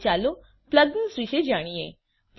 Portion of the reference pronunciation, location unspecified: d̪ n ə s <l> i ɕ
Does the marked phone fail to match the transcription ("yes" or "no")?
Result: yes